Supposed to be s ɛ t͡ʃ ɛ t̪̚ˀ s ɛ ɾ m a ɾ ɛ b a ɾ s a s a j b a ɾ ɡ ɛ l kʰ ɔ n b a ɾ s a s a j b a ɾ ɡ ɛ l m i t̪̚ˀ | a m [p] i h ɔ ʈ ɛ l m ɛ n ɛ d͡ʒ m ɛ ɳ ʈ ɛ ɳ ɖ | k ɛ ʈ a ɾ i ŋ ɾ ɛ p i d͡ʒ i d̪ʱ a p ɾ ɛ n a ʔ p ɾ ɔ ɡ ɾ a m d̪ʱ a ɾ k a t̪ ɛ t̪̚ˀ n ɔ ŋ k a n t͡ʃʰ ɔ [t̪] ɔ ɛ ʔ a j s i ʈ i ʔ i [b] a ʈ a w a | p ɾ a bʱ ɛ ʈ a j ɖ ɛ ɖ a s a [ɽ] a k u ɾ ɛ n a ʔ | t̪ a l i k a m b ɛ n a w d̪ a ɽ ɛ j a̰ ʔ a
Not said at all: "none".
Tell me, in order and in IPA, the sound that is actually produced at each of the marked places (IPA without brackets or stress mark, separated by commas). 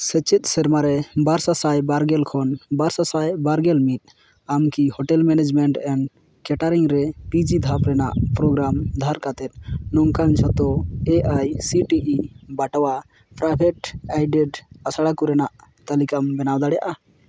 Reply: k, t̪, b, ɽ